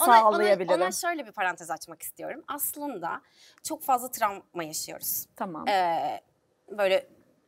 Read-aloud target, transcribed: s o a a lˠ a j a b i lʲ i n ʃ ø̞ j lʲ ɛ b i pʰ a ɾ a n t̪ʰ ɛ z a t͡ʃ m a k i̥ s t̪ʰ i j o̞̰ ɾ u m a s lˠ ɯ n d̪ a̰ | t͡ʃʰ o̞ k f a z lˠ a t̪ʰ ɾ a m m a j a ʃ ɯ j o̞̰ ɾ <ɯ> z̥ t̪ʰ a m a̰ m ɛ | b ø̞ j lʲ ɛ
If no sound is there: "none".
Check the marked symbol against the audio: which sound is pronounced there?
u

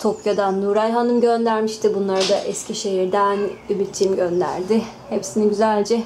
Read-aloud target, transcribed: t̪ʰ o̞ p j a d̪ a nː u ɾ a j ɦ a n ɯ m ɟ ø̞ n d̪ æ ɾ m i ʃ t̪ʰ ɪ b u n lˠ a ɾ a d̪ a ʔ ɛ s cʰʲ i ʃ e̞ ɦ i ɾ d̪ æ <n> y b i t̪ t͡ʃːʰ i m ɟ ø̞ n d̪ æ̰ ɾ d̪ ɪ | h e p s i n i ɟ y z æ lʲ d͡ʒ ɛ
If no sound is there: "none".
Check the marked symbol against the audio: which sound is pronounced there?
n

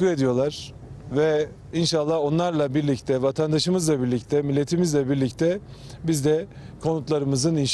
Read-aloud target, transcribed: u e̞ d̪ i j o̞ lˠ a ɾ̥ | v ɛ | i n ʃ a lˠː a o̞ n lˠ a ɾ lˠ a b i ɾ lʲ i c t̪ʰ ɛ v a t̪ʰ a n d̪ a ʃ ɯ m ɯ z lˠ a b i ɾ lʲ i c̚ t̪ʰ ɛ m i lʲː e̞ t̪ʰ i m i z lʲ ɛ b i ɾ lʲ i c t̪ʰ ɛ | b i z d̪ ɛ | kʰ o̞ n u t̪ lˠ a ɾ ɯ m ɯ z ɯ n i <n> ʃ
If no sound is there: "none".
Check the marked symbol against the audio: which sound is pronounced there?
n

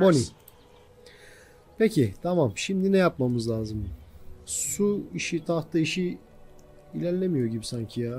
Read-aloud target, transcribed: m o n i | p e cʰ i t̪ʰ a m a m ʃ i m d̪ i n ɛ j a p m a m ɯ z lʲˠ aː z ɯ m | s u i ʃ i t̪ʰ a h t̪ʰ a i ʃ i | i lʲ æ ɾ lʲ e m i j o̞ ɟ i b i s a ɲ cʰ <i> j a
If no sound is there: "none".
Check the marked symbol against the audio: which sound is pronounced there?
i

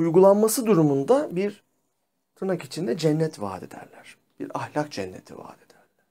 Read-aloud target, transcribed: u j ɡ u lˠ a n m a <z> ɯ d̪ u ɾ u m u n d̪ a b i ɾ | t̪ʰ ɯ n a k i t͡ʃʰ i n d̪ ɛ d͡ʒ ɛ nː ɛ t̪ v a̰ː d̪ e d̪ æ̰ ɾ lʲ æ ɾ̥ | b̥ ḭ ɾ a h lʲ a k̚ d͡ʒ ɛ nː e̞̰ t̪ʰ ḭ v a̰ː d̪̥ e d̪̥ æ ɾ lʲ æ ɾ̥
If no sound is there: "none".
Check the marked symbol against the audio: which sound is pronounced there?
s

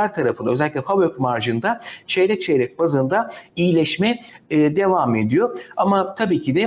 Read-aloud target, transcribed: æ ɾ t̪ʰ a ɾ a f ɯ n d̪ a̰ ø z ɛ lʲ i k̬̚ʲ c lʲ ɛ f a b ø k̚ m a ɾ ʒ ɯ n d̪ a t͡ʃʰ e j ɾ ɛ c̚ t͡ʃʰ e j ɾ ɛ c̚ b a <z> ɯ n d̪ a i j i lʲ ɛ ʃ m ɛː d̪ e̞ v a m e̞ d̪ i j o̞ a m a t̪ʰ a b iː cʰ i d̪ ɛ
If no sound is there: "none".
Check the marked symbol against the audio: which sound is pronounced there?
z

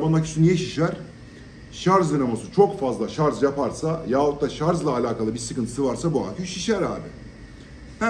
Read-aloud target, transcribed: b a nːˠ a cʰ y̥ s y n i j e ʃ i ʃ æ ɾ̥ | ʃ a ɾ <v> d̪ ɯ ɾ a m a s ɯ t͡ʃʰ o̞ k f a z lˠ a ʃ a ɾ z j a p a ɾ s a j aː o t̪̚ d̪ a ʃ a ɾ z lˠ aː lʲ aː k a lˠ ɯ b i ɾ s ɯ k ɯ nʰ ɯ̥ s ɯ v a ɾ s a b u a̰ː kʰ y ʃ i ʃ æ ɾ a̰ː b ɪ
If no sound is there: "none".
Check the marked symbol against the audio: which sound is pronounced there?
z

